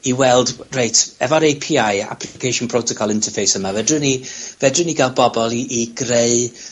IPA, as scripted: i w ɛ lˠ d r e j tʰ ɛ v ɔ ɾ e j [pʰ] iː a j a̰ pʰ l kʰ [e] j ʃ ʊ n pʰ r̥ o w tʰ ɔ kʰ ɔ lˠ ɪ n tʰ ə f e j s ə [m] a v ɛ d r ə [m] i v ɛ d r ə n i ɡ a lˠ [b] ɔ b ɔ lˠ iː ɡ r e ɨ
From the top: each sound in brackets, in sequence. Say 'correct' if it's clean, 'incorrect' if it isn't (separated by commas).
correct, correct, correct, incorrect, correct